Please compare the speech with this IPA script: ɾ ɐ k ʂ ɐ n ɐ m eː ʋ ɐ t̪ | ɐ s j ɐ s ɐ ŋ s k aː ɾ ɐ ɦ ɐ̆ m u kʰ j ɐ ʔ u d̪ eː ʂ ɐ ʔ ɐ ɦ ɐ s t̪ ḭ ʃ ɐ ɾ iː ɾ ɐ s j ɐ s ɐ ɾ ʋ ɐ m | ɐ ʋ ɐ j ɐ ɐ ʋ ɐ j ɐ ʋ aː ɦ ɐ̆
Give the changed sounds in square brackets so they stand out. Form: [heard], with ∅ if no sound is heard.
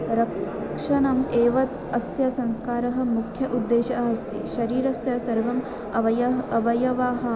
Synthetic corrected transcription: ɾ ɐ k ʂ ɐ n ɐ m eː ʋ ɐ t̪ | ɐ s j ɐ s ɐ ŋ s k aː ɾ ɐ ɦ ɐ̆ m u kʰ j ɐ ʔ u [d̪ː] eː [ʃ] ɐ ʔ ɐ ɦ ɐ s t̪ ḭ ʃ ɐ ɾ iː ɾ ɐ s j ɐ s ɐ ɾ ʋ ɐ m | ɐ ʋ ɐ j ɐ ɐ ʋ ɐ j ɐ ʋ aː ɦ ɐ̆